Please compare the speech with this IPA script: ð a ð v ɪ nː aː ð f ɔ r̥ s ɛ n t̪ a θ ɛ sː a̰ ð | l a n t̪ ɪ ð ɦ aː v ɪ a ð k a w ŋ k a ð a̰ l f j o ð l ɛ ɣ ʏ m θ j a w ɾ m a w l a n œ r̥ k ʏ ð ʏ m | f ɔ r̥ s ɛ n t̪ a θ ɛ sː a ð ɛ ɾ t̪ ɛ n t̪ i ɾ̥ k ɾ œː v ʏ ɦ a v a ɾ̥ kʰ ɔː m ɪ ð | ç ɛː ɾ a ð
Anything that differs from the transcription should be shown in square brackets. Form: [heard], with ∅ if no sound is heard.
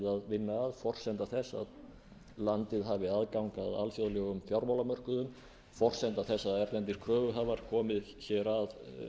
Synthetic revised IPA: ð a ð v ɪ nː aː ð f ɔ r̥ s ɛ n t̪ a θ ɛ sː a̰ ð | l a n t̪ ɪ ð ɦ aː v ɪ a ð k a w ŋ k a ð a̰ l f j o ð l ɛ ɣ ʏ m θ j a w ɾ m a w l a [m] œ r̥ k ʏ ð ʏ m | f ɔ r̥ s ɛ n t̪ a θ ɛ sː a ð ɛ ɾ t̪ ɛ n t̪ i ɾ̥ [kʰ] ɾ œː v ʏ ɦ a v a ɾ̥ kʰ ɔː m ɪ ð | ç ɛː ɾ a ð